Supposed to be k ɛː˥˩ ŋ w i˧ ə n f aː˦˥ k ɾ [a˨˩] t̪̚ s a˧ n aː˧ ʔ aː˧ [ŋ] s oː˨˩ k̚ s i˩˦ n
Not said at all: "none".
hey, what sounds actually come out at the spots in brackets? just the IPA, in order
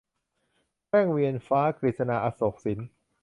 i˨˩, none

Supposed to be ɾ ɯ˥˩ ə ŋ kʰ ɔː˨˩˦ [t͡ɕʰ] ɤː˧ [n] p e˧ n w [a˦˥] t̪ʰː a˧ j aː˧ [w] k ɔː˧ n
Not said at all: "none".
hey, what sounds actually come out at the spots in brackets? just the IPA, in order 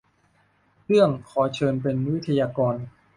t͡ɕʰ, n, i˦˥, none

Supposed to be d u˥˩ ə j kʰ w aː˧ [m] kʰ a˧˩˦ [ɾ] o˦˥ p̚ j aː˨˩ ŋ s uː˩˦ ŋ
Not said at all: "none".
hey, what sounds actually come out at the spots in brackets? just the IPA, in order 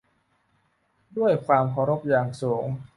m, ɾ

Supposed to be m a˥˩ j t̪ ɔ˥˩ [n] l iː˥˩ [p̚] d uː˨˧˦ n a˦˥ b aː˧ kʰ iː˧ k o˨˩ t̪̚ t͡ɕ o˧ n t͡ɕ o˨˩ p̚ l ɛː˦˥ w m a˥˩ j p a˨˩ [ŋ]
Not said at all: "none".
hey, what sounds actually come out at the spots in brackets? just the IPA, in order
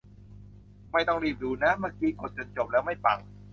ŋ, p̚, ŋ

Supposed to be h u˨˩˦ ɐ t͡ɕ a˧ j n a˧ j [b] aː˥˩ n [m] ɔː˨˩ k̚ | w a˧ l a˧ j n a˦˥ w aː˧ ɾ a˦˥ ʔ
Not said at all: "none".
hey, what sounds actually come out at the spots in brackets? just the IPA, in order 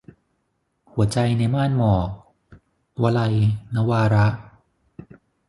m, m

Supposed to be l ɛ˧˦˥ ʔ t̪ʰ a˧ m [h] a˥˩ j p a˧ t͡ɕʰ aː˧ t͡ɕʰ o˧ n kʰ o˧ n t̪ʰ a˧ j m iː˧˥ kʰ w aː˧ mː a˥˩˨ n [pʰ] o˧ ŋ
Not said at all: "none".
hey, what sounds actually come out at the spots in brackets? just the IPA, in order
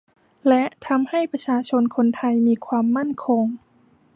h, kʰ

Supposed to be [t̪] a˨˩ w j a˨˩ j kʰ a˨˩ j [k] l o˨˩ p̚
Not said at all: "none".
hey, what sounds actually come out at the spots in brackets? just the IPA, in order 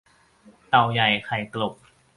t̪, k

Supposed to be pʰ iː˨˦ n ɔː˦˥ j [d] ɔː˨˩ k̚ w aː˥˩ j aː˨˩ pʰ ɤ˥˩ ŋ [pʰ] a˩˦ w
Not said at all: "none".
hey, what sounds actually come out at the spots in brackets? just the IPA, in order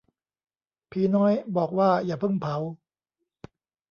b, pʰ

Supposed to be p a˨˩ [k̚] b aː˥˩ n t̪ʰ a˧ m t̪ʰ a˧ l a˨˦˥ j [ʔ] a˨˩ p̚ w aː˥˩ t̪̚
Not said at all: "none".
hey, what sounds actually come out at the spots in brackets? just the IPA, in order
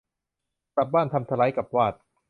p̚, k

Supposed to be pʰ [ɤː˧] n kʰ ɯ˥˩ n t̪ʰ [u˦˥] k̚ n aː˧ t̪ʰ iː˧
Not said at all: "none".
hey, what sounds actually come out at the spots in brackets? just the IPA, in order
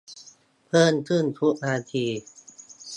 ɤː˥˩, u˦˥

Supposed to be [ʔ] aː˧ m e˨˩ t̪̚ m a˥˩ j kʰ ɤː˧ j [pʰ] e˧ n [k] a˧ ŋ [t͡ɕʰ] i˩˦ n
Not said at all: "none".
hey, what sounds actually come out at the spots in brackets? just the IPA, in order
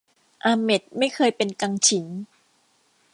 ʔ, p, k, t͡ɕʰ

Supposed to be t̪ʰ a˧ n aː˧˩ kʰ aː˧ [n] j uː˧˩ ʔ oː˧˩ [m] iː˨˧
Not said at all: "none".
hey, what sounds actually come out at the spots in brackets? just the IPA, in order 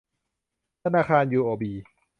n, b

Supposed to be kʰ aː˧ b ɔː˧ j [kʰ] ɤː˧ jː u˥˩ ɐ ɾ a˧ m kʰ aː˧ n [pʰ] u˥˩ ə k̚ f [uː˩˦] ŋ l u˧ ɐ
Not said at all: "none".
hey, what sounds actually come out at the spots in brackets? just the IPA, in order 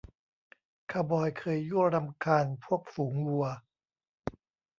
kʰ, pʰ, uː˩˦

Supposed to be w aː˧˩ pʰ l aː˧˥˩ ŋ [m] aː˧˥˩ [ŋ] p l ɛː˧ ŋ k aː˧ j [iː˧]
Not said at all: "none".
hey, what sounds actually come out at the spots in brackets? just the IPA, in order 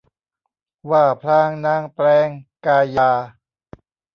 n, ŋ, aː˧

